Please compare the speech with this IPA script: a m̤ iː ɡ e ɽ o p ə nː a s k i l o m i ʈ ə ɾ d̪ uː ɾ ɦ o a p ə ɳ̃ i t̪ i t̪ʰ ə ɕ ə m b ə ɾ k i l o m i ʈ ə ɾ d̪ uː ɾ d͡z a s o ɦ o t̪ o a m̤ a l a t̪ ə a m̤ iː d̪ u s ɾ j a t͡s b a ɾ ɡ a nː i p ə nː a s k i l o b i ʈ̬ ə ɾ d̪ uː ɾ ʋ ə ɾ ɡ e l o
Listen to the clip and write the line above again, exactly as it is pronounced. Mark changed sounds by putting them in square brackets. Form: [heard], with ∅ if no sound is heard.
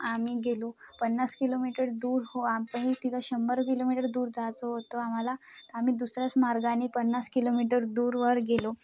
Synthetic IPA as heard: a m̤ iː ɡ e [l] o p ə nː a s k i l o m i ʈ ə ɾ d̪ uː ɾ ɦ o a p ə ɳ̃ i t̪ i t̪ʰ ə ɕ ə m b ə ɾ k i l o m i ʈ ə ɾ d̪ uː ɾ d͡z a [t͡s] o ɦ o t̪ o a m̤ a l a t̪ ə a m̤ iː d̪ u s ɾ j a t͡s [m] a ɾ ɡ a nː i p ə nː a s k i l o [m] i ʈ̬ ə ɾ d̪ uː ɾ ʋ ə ɾ ɡ e l o